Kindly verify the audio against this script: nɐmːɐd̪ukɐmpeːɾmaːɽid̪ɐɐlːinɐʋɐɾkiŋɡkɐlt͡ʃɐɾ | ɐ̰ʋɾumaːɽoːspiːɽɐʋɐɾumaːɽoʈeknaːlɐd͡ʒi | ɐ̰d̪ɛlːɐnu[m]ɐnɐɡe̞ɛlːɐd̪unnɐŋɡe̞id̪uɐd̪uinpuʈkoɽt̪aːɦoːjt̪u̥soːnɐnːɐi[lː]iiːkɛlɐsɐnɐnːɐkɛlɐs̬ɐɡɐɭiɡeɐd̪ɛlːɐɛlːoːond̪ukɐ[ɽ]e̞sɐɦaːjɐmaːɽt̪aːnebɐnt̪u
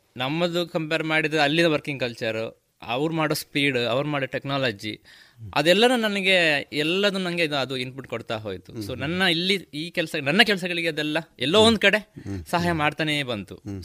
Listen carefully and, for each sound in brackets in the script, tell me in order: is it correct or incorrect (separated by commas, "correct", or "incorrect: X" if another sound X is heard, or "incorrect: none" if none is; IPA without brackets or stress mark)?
incorrect: n, correct, correct